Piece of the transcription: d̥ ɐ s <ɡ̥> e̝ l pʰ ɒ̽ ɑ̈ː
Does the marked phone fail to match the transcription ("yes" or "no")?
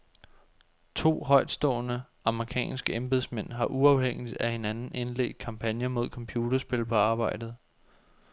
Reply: yes